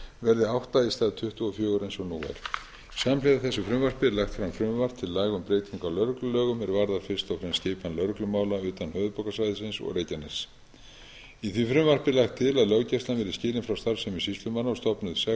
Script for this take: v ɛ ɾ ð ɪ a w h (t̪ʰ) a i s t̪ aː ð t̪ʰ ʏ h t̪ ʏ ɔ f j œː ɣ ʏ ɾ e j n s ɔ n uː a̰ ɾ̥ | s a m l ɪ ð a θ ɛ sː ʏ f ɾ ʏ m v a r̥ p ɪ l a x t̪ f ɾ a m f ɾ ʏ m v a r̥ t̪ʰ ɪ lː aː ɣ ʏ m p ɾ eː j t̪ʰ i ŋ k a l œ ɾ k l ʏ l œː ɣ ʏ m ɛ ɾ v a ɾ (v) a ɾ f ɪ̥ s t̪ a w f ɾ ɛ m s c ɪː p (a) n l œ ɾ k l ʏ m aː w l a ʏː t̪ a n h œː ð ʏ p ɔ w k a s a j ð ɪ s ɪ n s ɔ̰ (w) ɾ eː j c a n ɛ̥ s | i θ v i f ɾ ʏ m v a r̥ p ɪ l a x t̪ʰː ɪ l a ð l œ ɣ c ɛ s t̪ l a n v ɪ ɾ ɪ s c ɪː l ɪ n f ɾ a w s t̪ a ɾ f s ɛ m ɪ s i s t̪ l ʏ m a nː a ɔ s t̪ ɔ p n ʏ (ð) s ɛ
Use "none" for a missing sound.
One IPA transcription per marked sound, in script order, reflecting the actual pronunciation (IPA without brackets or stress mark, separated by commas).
t̪, ð, a, ɣ, ð